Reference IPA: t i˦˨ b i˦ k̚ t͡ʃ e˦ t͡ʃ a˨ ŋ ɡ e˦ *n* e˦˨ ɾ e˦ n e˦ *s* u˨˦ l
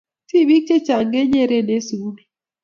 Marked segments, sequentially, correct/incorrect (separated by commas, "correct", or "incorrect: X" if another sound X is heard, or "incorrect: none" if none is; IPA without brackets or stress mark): incorrect: ɲ, correct